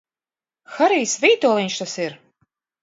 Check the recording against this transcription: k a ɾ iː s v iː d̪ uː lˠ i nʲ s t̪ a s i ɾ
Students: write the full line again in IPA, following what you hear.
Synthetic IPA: x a ɾ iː s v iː t̪ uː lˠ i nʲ ʃ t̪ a s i ɾ